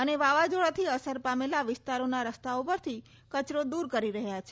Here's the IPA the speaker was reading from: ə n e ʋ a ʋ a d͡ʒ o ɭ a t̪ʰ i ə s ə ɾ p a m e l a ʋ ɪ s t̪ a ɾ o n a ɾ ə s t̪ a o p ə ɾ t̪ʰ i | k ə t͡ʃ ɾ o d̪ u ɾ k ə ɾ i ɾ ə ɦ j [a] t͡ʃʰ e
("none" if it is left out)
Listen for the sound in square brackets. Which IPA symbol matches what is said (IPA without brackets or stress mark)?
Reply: a